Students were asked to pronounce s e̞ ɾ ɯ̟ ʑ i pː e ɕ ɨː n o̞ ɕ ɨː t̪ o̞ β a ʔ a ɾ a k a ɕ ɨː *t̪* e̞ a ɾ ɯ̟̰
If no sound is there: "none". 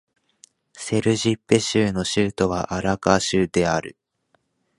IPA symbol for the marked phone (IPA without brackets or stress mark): d̪